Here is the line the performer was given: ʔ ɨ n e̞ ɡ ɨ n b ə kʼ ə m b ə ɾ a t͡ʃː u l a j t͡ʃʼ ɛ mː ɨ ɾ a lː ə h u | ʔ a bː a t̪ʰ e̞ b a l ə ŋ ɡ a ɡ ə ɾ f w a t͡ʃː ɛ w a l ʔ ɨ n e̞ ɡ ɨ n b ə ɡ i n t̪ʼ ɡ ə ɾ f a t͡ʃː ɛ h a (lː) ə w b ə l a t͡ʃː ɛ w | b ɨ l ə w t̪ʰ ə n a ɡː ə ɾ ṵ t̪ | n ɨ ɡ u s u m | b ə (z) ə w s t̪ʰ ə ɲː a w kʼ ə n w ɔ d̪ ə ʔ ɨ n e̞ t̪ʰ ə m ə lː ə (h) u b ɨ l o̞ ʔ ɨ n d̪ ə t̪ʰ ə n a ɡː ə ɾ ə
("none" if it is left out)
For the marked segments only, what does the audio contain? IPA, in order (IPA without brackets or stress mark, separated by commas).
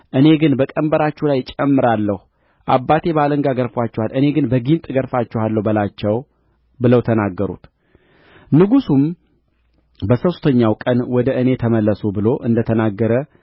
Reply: lː, s, s